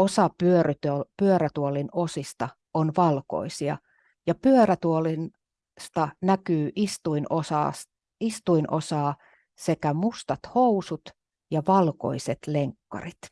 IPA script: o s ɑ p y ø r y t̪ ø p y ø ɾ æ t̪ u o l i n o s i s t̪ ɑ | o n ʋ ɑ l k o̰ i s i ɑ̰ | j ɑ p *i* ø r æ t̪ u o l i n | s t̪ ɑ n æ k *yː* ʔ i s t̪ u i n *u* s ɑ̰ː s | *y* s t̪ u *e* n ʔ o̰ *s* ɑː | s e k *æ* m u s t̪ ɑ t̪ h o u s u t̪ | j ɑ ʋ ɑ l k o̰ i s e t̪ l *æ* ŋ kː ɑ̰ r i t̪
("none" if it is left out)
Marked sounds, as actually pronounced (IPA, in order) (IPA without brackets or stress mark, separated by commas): y, yː, o, i, i, s, æ, e